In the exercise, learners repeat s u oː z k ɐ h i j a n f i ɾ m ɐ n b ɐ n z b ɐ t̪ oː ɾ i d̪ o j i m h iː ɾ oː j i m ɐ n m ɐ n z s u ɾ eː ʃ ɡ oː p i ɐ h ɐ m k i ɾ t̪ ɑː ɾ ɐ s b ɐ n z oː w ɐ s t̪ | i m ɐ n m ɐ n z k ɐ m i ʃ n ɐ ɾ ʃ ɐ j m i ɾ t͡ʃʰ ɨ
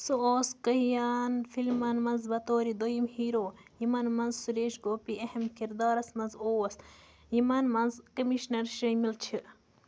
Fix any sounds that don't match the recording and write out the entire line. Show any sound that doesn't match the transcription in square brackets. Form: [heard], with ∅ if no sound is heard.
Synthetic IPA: s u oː [s] k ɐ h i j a n f i [l] m ɐ n [m] ɐ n z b ɐ t̪ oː ɾ i d̪ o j i m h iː ɾ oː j i m ɐ n m ɐ n z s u ɾ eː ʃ ɡ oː p i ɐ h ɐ m k i ɾ [d̪] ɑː ɾ ɐ s [m] ɐ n z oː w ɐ s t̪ | i m ɐ n m ɐ n z k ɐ m i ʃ n ɐ ɾ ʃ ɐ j m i [l] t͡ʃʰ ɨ